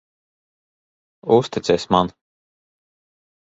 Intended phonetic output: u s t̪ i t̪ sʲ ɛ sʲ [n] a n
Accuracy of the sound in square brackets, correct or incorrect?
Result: incorrect